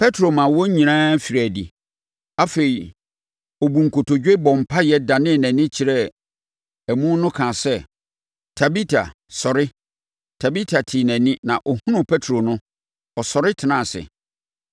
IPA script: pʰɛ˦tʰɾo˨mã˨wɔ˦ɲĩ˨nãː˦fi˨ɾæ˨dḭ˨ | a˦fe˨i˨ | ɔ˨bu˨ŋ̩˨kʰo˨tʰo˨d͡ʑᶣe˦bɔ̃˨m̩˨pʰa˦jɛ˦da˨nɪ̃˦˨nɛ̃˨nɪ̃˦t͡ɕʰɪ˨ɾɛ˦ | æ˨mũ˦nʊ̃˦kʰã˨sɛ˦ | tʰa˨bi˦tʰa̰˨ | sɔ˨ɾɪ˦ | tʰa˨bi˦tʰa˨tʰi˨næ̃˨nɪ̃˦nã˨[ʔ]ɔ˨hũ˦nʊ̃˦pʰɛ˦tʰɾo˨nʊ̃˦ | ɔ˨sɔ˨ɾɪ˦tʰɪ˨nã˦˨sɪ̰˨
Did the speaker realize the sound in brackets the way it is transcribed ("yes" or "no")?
yes